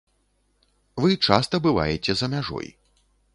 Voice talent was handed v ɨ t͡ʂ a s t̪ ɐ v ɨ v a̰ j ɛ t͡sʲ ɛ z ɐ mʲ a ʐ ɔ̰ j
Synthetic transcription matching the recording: v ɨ t͡ʂ a s t̪ ɐ b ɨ v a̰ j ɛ t͡sʲ ɛ z ɐ mʲ a ʐ ɔ̰ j

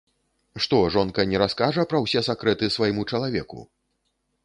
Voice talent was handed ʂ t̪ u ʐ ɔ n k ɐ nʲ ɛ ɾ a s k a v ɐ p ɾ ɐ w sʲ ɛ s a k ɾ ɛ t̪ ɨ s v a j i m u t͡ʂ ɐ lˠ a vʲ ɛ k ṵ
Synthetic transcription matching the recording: ʂ t̪ ɔ ʐ ɔ n k ɐ nʲ ɛ ɾ a s k a ʐ ɐ p ɾ ɐ w sʲ ɛ s a k ɾ ɛ t̪ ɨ s v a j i m u t͡ʂ ɐ lˠ a vʲ ɛ k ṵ

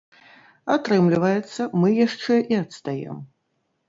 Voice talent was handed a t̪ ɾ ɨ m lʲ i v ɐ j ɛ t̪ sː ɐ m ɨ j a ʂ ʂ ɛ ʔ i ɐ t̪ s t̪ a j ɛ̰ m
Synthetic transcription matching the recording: a t̪ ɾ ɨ m lʲ i v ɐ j ɛ t̪ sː ɐ m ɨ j a ʂ t͡ʂ ɛ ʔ i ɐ t̪ s t̪ a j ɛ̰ m

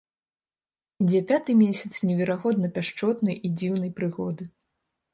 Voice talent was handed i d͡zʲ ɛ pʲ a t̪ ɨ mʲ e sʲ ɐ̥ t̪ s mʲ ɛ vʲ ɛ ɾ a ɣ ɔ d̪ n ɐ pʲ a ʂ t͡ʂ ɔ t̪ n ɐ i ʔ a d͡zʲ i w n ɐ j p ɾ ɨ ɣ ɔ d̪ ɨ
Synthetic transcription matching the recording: i d͡zʲ ɛ pʲ a t̪ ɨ mʲ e sʲ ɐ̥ t̪ s nʲ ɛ vʲ ɛ ɾ a ɣ ɔ d̪ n ɐ pʲ a ʂ t͡ʂ ɔ t̪ n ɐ j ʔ i d͡zʲ i w n ɐ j p ɾ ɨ ɣ ɔ d̪ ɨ

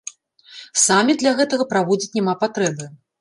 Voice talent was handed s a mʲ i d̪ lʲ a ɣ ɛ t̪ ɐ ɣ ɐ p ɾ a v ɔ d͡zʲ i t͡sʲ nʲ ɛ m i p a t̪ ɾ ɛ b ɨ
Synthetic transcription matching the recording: s a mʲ i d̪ lʲ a ɣ ɛ t̪ ɐ ɣ ɐ p ɾ a v ɔ d͡zʲ i t͡sʲ nʲ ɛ m a p a t̪ ɾ ɛ b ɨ

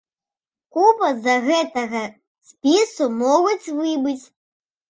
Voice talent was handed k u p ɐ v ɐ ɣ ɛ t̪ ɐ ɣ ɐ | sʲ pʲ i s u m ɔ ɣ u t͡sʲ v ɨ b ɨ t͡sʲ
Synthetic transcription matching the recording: k u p ɐ z ɐ ɣ ɛ t̪ ɐ ɣ ɐ | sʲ pʲ i s u m ɔ ɣ u t͡sʲ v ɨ b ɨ t͡sʲ

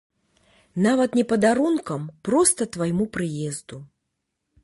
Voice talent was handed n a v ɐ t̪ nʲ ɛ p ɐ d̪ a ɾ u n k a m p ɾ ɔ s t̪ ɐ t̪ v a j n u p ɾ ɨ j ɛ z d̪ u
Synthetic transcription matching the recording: n a v ɐ t̪ nʲ ɛ p ɐ d̪ a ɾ u n k ɐ m p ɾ ɔ s t̪ ɐ t̪ v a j m u p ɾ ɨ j ɛ z d̪ u

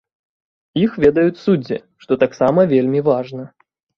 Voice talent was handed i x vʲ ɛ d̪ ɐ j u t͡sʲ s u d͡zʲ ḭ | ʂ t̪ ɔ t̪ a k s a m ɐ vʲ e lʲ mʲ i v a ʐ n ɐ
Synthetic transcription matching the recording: i x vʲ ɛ d̪ ɐ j u t͡sʲ s u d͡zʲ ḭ | ʂ t̪ ɔ t̪ a k s a m ɐ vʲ e lʲ mʲ i v a ʐ n ɐ

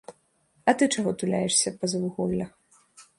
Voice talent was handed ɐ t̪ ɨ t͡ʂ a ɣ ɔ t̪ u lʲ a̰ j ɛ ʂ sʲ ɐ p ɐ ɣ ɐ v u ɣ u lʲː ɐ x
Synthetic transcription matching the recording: ɐ t̪ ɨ t͡ʂ a ɣ ɔ t̪ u lʲ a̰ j ɛ ʂ sʲ ɐ p ɐ z ɐ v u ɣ ɔ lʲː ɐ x

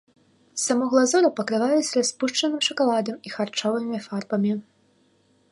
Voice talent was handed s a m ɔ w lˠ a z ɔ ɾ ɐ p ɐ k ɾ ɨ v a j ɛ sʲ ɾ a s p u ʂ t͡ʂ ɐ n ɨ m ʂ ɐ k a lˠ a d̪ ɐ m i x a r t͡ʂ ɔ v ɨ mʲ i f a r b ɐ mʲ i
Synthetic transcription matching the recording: s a m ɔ ɣ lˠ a z ɔ ɾ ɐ p ɐ k ɾ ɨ v a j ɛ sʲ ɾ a s p u ʂ t͡ʂ ɐ n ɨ m ʂ ɐ k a lˠ a d̪ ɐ m i x a r t͡ʂ ɔ v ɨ mʲ i f a r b ɐ mʲ i

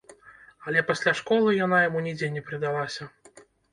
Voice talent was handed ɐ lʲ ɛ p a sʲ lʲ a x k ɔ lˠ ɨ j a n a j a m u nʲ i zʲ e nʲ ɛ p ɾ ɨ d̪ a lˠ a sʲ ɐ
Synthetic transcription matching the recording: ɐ lʲ ɛ p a sʲ lʲ a ʂ k ɔ lˠ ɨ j a n a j a m u nʲ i d͡zʲ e nʲ ɛ p ɾ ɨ d̪ a lˠ a sʲ ɐ

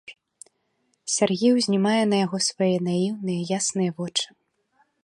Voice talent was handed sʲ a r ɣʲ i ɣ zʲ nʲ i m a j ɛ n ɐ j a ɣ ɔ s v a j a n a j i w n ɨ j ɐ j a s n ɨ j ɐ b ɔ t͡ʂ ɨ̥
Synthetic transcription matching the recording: sʲ a r ɣʲ i w zʲ nʲ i m a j ɛ n ɐ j a ɣ ɔ s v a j ɛ n a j i w n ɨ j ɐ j a s n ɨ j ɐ v ɔ t͡ʂ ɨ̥

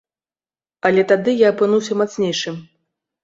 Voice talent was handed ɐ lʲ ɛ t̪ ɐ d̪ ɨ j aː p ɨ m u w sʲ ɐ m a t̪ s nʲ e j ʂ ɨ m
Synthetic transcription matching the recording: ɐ lʲ ɛ t̪ a d̪ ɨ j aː p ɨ n u w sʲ ɐ m a t̪ s nʲ e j ʂ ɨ m

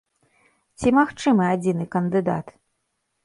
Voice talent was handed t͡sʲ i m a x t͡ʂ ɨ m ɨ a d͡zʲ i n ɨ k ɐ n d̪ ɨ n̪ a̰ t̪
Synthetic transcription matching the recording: t͡sʲ i m a x t͡ʂ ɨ m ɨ a d͡zʲ i n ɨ k ɐ n d̪ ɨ d̪ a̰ t̪

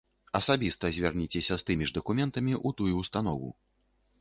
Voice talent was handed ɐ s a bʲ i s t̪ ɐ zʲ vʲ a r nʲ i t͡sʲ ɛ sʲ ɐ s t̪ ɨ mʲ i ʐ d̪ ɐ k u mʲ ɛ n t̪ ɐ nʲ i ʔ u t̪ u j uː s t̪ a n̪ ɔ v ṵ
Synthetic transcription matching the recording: ɐ s a bʲ i s t̪ ɐ zʲ vʲ a r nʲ i t͡sʲ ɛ sʲ ɐ s t̪ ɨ mʲ i ʐ d̪ ɐ k u mʲ ɛ n t̪ ɐ mʲ i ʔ u t̪ u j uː s t̪ a n̪ ɔ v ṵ

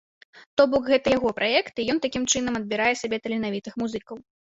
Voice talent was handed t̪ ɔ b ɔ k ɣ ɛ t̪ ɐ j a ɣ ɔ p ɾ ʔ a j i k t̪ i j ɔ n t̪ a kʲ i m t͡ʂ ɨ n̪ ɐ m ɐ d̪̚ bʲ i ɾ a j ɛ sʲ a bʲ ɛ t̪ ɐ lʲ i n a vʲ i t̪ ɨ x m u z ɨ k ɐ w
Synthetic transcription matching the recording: t̪ ɔ b ɔ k ɣ ɛ t̪ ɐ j a ɣ ɔ p ɾ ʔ a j ɛ k t̪ i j ɔ n t̪ a kʲ i m t͡ʂ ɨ n̪ ɐ m ɐ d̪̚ bʲ i ɾ a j ɛ sʲ a bʲ ɛ t̪ ɐ lʲ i n a vʲ i t̪ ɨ x m u z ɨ k ɐ w

